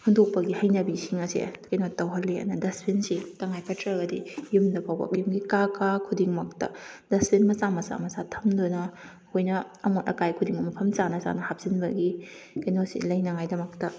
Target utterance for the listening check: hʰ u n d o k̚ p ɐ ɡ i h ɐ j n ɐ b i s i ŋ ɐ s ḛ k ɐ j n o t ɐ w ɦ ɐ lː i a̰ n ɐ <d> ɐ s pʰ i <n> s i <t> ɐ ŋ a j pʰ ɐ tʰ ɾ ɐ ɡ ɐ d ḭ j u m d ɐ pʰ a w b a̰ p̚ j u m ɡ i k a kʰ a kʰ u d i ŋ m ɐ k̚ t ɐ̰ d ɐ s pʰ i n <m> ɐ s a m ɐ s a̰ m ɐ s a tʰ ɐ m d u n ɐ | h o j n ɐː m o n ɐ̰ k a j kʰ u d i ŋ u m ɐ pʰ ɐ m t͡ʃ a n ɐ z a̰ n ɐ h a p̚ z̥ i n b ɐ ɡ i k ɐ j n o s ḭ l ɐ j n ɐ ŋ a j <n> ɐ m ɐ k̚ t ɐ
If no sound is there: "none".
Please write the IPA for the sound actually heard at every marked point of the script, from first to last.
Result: d, n, t, m, d

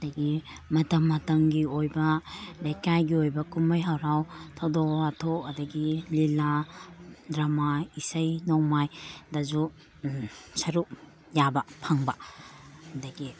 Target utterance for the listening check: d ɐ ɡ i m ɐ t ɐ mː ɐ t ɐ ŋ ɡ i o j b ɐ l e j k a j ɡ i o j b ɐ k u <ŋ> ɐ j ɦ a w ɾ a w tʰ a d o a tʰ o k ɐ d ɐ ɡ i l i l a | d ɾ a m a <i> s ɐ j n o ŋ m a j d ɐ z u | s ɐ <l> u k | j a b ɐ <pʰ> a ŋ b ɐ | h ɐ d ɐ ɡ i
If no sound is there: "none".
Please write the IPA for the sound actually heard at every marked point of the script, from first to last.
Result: m, i, ɾ, pʰ

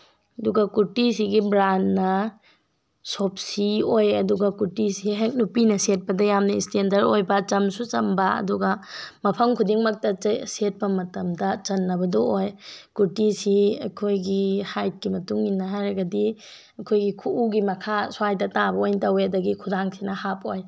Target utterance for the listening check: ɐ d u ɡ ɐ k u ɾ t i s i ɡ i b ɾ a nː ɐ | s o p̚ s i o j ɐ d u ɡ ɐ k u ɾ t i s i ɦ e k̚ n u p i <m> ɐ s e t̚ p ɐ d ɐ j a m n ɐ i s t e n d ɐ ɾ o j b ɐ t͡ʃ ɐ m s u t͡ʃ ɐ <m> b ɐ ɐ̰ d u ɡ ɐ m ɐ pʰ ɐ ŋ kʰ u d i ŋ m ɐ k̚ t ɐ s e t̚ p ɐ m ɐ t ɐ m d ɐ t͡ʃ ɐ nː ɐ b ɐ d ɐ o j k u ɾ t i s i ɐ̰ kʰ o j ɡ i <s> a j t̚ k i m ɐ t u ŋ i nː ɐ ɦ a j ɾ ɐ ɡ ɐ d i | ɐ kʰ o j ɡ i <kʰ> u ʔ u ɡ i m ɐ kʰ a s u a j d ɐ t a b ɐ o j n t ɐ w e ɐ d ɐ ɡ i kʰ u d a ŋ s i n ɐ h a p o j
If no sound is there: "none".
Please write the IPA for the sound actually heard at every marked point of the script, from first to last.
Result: n, m, h, kʰ

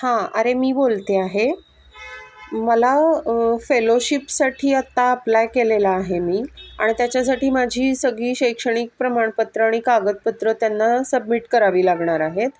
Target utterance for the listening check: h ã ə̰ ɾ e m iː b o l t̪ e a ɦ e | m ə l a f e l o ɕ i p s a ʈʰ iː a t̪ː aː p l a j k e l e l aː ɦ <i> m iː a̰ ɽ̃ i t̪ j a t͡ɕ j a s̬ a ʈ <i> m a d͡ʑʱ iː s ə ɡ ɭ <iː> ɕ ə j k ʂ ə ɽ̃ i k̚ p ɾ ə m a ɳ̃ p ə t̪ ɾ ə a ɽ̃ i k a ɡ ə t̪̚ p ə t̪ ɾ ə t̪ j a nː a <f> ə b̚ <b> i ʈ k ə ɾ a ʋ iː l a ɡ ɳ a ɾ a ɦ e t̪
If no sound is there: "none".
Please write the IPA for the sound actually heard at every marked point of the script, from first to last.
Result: e, iː, iː, s, m

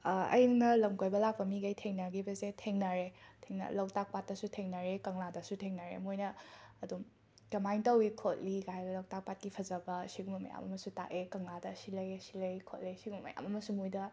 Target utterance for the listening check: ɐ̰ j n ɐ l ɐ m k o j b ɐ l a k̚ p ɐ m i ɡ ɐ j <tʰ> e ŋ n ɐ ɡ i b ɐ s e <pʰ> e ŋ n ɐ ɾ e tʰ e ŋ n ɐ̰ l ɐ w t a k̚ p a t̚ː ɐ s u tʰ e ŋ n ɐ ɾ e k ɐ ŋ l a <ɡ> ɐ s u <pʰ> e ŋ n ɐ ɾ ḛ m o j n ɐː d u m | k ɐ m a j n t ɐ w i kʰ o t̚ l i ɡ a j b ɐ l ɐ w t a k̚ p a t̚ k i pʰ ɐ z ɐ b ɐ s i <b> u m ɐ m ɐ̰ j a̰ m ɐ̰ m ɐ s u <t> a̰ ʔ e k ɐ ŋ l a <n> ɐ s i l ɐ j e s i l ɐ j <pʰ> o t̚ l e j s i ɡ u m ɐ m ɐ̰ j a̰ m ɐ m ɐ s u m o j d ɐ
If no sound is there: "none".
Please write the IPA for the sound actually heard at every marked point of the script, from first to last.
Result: tʰ, tʰ, d, tʰ, ɡ, t, d, kʰ

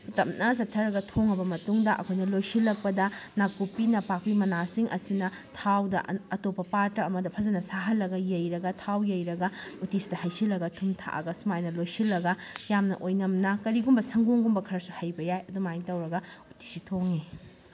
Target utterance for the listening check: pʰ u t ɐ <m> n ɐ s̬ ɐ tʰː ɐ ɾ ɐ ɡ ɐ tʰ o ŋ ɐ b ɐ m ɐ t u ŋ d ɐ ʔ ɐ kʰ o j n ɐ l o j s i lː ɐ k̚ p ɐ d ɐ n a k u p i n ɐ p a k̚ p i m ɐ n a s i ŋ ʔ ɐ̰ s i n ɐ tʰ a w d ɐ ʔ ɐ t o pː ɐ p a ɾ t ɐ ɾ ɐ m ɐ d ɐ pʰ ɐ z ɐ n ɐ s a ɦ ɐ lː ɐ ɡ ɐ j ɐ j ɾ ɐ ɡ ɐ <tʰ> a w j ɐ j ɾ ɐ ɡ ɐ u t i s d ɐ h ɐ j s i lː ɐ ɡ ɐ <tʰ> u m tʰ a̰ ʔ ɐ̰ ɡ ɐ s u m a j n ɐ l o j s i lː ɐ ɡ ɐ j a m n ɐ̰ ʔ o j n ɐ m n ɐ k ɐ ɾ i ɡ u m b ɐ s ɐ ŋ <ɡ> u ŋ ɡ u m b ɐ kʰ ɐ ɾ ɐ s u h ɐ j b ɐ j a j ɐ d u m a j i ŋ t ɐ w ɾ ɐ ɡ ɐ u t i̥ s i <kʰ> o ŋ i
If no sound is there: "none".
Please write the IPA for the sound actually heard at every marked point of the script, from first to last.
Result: m, tʰ, tʰ, ɡ, tʰ

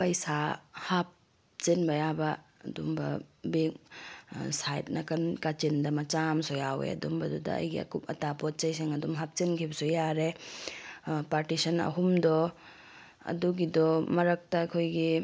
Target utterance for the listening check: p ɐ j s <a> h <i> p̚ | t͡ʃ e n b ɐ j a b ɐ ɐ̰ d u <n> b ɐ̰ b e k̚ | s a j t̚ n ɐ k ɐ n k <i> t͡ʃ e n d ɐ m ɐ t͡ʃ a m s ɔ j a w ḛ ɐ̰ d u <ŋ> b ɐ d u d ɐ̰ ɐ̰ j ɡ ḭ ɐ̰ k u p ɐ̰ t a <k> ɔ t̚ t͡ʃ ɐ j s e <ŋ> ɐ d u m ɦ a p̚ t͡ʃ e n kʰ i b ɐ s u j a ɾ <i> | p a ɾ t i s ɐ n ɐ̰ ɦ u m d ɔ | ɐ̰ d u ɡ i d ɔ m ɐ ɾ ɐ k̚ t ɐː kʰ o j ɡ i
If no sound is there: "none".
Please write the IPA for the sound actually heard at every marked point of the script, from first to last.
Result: a, a, m, a, m, p, ŋ, e

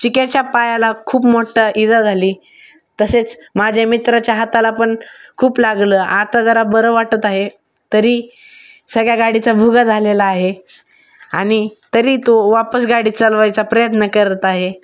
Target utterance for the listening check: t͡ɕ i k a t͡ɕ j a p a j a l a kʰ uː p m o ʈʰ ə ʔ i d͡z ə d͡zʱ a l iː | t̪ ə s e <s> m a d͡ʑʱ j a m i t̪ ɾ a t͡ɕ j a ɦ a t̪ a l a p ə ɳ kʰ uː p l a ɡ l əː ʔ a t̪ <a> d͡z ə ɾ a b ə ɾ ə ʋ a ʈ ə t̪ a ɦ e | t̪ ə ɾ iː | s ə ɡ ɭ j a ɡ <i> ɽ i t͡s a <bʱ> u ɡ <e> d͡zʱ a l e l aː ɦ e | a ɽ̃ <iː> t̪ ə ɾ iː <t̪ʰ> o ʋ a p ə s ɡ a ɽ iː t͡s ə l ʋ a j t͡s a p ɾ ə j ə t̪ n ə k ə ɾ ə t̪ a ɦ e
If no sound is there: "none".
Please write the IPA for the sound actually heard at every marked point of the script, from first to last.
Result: t͡s, a, a, bʱ, a, i, t̪

